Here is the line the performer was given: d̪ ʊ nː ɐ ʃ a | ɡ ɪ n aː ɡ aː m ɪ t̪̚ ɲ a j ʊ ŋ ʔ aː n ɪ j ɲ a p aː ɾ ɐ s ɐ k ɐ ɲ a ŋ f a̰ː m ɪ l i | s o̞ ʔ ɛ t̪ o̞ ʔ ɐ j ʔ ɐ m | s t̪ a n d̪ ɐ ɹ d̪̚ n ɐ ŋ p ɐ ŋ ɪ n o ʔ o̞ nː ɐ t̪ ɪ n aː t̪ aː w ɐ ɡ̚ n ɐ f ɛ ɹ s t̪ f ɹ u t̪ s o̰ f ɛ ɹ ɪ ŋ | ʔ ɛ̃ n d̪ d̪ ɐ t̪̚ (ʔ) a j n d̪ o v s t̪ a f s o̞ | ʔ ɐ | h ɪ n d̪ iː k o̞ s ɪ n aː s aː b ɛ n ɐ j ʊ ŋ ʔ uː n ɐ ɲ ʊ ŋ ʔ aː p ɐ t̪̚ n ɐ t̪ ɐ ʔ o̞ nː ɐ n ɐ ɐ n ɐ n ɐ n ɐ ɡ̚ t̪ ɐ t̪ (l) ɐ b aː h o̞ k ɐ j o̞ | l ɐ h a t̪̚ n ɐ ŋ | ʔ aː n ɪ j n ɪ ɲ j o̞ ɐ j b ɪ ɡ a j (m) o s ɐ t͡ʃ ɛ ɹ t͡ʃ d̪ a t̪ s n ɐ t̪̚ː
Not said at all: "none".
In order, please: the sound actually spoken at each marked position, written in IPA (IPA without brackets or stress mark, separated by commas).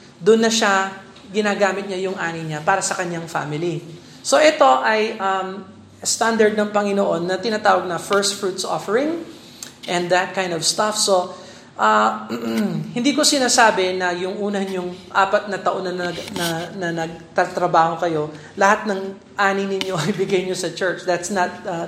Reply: k, ɾ, ɲ